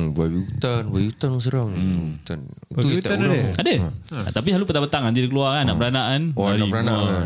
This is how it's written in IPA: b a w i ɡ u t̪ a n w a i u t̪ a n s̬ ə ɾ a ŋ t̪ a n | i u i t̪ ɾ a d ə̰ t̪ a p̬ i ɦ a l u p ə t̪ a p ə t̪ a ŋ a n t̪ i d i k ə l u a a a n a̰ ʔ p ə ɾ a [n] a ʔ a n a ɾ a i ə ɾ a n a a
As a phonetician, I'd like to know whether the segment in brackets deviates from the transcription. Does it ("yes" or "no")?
no